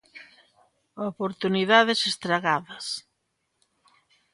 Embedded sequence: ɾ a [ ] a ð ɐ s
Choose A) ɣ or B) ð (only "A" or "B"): A